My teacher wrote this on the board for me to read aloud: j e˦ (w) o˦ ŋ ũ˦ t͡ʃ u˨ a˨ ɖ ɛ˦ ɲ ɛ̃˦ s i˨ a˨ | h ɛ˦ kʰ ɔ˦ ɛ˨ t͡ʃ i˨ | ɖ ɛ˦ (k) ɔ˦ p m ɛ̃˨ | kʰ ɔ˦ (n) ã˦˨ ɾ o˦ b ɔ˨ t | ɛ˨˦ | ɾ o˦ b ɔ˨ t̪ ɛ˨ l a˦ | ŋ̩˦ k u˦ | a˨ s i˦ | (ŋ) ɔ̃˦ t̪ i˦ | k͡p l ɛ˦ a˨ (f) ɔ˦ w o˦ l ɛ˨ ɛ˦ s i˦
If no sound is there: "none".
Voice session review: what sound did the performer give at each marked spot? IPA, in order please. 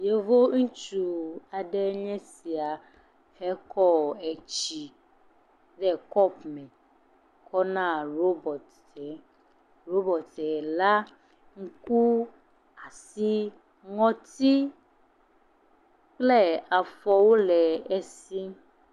v, k, n, ŋ, f

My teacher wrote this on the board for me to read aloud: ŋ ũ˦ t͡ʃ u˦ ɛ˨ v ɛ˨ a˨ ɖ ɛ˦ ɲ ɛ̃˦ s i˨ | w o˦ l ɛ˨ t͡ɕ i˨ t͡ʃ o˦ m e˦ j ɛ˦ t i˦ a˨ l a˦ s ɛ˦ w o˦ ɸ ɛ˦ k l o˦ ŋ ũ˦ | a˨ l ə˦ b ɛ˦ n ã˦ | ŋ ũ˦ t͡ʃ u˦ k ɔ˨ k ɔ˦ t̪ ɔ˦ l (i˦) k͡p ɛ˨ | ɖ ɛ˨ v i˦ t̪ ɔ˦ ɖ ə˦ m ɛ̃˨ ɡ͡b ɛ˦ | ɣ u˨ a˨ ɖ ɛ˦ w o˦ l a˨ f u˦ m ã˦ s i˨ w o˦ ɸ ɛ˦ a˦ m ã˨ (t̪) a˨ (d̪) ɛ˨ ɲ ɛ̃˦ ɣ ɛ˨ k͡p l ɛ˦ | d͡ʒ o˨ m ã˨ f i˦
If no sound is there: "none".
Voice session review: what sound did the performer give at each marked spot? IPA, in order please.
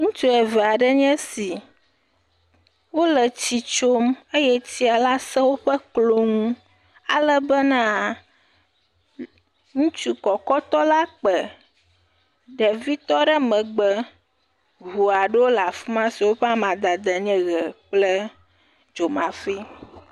a˦, d̪, d̪

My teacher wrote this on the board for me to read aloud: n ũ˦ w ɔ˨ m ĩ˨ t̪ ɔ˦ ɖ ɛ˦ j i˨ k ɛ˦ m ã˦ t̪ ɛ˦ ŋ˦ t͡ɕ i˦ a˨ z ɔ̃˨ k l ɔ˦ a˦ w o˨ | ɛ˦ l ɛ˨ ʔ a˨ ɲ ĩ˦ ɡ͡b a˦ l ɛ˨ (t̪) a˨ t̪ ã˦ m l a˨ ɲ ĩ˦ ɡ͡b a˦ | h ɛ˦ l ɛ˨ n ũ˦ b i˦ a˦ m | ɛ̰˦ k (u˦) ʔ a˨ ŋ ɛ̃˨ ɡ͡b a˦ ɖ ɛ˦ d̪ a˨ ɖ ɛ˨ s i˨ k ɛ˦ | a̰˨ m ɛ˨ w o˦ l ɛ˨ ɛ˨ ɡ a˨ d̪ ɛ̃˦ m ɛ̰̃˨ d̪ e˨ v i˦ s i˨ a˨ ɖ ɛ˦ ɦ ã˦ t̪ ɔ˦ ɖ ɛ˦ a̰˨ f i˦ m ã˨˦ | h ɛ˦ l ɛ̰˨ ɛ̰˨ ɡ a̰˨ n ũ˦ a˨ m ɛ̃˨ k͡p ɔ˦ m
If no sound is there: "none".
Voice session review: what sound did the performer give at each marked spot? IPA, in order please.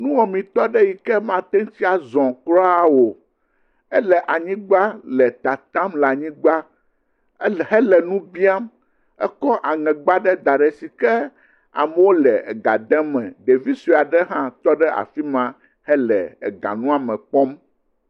t̪, ɔ˦

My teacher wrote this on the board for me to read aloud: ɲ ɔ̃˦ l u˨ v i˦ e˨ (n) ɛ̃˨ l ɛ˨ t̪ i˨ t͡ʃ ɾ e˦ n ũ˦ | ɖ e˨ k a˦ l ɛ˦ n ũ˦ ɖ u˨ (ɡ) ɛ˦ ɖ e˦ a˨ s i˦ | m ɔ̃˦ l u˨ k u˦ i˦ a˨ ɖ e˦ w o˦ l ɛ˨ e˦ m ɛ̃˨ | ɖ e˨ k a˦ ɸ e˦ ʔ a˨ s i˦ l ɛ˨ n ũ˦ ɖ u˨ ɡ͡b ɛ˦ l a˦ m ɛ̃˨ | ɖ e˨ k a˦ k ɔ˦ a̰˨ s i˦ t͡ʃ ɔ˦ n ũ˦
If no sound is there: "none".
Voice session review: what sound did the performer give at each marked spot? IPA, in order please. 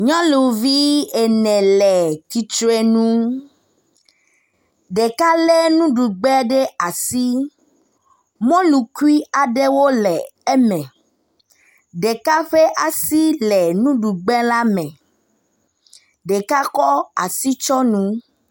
n, ɡ͡b

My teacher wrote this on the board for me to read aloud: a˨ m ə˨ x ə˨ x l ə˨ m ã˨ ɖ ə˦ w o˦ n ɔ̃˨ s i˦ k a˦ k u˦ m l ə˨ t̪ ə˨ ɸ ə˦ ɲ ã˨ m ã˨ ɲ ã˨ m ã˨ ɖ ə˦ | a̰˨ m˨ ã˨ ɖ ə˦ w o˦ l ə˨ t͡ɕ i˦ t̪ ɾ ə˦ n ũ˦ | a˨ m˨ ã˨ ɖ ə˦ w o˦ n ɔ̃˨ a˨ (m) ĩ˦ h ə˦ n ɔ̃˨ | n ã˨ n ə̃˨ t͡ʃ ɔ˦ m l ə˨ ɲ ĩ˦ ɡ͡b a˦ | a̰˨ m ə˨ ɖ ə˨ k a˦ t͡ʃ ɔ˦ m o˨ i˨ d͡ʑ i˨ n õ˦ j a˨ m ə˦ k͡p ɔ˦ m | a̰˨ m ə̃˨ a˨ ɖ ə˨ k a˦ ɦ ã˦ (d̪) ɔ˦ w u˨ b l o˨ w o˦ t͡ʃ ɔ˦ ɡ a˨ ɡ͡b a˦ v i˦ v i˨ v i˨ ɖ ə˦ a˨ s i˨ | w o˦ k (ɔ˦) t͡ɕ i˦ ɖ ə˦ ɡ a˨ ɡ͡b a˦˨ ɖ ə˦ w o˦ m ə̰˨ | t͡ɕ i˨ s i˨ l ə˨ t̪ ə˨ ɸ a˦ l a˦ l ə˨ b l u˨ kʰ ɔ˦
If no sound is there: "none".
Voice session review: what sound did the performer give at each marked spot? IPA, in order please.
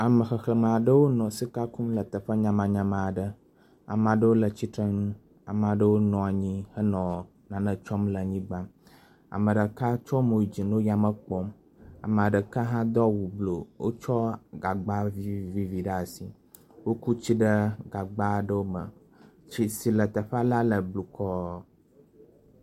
ɲ, d̪, u˦

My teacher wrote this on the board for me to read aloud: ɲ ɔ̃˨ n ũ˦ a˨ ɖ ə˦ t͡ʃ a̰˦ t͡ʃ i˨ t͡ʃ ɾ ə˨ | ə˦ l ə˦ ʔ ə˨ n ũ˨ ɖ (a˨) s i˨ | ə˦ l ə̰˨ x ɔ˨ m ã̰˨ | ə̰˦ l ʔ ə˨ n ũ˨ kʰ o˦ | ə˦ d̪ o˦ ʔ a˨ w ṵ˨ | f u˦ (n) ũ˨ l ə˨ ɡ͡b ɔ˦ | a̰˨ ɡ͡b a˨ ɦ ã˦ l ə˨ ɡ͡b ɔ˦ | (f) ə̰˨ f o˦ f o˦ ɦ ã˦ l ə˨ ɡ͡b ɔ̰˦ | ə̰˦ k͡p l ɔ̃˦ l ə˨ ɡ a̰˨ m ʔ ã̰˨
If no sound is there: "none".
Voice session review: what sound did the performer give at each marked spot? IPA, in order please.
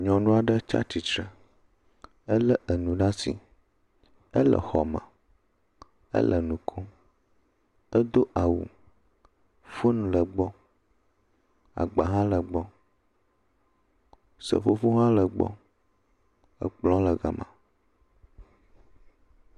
a˦, n, s

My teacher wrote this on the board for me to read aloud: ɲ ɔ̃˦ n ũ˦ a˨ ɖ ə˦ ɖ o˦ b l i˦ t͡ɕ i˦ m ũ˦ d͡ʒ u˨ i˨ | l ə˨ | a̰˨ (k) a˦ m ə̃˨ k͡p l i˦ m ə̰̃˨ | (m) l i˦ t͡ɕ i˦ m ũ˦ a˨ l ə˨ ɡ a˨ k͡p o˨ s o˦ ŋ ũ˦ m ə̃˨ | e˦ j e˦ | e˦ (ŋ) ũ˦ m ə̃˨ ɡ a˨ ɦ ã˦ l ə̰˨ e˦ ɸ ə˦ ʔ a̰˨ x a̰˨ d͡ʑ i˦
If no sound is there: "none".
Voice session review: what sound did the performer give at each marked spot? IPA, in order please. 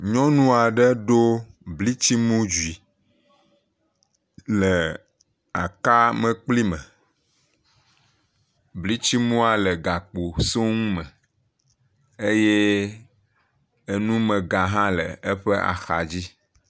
k, b, n

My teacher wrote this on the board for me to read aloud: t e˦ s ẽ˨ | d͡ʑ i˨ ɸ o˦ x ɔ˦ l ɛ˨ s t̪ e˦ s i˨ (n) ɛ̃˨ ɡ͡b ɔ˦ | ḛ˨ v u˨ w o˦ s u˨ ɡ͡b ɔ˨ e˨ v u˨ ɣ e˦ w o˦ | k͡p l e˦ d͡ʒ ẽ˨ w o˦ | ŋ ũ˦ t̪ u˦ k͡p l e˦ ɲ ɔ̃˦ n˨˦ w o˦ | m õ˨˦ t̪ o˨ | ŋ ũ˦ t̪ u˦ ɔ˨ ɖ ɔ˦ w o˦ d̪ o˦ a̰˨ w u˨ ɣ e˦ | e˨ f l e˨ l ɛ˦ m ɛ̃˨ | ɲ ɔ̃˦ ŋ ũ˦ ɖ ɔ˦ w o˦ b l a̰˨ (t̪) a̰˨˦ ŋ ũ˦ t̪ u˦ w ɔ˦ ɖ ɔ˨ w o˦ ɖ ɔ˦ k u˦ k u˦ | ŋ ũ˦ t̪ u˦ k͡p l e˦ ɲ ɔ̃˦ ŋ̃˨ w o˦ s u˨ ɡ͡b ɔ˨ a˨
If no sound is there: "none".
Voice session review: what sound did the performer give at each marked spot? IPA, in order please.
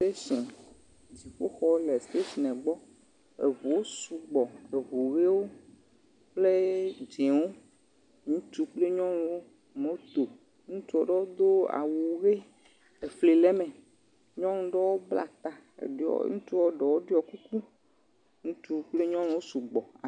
n, t̪

